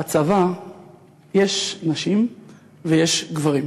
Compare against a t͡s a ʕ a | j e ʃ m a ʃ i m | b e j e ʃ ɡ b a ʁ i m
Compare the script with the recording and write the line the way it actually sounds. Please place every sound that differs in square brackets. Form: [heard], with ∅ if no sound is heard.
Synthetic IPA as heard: a t͡s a [v] a | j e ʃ [n] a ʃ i m | [v] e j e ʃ ɡ [v] a ʁ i m